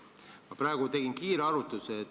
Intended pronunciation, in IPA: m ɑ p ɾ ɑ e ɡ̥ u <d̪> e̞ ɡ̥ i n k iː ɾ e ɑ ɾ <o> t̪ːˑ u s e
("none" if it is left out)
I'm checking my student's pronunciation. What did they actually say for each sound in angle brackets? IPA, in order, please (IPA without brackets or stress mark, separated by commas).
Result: t̪, u